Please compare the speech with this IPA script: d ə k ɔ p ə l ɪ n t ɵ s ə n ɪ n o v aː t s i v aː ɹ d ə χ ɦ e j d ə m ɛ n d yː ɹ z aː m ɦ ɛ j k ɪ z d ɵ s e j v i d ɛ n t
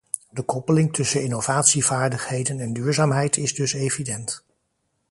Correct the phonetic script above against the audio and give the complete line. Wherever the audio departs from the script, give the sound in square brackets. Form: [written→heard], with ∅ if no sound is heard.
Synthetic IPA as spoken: d ə k ɔ p ə l ɪ [n→ŋ] t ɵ s ə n ɪ n o v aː t s i v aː ɹ d ə χ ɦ e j d ə [m→n] ɛ n d yː ɹ z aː m ɦ ɛ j [k→t] ɪ z d ɵ s e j v i d ɛ n t